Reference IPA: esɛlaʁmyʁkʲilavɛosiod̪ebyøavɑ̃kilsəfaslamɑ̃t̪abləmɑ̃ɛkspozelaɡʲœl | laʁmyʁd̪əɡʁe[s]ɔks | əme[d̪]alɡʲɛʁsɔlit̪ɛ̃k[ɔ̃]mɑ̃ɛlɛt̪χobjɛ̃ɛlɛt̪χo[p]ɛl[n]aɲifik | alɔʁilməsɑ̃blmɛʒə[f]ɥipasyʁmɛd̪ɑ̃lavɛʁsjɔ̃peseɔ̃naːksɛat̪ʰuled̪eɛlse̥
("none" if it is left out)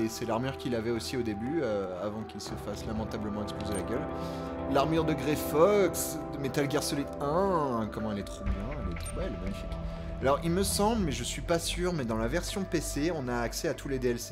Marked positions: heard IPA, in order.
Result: f, t̪, ɔ, b, m, s

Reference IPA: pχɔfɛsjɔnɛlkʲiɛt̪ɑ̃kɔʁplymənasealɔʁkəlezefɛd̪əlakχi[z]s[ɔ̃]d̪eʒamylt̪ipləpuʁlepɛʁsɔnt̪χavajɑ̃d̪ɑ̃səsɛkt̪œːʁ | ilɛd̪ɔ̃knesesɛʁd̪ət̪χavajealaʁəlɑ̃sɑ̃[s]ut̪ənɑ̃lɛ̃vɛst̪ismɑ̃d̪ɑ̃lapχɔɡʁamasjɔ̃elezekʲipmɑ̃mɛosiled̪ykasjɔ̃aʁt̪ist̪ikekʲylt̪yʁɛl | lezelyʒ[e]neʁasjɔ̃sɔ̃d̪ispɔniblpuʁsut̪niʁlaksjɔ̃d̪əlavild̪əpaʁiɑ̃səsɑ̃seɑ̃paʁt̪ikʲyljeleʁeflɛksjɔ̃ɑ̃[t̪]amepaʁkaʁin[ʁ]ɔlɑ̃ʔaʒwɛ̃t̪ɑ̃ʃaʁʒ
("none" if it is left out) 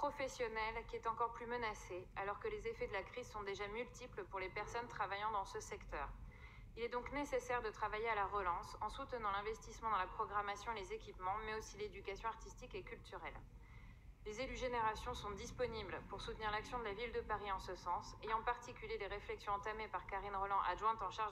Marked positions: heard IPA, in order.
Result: z, ɔ̃, s, e, t̪, ʁ

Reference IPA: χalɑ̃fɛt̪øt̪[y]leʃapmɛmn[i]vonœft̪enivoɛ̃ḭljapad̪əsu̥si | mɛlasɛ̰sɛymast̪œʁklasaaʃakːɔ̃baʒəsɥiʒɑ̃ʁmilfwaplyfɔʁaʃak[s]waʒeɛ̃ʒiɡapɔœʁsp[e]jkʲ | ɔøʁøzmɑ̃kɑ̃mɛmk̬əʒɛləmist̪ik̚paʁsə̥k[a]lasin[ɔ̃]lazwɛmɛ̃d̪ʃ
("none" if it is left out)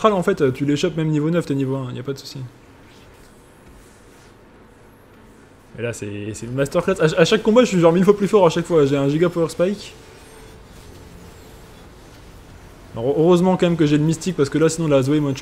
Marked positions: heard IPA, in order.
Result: y, i, f, a, ə, ɔ̃

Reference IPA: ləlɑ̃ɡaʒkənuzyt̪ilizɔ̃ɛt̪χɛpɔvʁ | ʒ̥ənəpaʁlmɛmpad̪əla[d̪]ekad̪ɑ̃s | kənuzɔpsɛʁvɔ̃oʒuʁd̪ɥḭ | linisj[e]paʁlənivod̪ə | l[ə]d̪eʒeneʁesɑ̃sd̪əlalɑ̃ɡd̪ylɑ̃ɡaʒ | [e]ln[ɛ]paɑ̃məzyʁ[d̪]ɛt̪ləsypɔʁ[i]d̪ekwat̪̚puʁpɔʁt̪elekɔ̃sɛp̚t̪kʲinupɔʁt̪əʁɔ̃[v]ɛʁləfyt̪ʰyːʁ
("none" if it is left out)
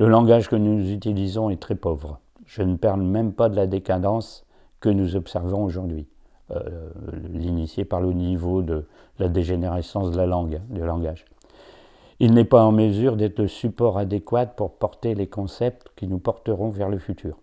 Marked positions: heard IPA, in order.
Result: d̪, e, a, i, ɛ, d̪, a, v

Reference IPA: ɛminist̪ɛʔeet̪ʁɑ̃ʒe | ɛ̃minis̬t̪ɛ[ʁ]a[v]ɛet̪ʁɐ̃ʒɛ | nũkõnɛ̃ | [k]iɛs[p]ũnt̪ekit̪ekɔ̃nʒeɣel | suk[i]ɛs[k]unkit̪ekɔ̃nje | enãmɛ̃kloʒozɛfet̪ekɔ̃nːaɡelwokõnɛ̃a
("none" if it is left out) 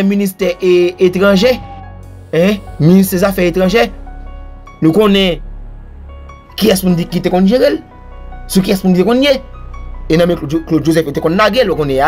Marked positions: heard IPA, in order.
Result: z, f, k, p, i, p

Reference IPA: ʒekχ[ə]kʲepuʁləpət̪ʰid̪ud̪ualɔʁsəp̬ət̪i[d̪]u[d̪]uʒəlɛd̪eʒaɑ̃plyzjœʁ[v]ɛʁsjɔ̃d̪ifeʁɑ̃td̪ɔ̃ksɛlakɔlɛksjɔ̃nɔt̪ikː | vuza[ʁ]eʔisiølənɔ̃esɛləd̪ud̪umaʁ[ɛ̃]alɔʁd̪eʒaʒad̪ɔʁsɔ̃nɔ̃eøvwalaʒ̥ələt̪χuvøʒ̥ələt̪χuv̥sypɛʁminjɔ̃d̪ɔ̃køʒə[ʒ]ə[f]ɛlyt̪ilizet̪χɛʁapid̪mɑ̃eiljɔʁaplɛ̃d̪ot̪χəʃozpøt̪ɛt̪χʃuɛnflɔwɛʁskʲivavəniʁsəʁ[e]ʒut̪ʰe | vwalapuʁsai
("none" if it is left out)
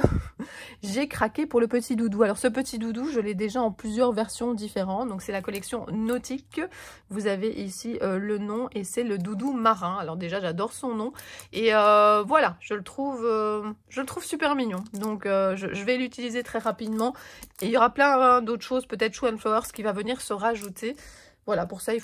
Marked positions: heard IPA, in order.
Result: a, d̪, d̪, v, v, ɛ̃, ʒ, v, a

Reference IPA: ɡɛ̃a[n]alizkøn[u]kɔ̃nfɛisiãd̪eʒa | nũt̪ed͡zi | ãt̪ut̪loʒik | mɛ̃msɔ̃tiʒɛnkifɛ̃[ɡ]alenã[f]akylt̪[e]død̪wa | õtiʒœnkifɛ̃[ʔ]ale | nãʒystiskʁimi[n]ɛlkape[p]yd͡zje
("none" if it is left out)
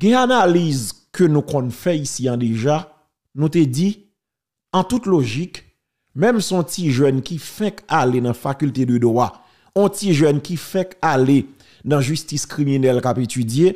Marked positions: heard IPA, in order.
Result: n, ũ, k, f, e, k, n, t

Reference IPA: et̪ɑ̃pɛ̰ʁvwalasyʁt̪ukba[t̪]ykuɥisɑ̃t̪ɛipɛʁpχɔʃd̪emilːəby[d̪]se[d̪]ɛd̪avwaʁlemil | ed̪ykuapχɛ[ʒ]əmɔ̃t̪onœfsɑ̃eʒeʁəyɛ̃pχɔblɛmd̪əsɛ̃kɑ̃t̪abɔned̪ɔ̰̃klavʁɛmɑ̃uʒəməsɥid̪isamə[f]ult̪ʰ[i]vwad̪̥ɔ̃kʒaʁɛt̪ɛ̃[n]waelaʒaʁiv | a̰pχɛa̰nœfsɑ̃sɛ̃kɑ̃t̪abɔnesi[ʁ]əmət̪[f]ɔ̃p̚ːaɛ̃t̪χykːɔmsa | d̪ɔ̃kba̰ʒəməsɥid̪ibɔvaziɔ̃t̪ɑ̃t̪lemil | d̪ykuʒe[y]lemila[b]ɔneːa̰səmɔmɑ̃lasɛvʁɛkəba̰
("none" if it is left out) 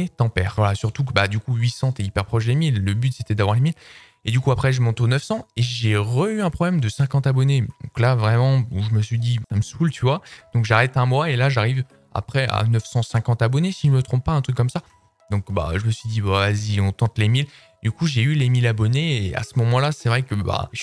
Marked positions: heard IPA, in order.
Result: d̪, t̪, t̪, ʒ, s, y, m, ʒ, χ, y, b

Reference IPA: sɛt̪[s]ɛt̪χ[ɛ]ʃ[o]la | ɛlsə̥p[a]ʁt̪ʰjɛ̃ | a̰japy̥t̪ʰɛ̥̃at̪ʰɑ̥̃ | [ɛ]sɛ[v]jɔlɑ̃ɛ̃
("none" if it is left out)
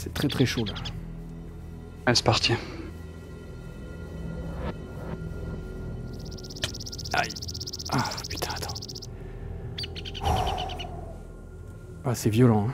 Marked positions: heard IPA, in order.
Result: χ, ɛ, o, a, a, v

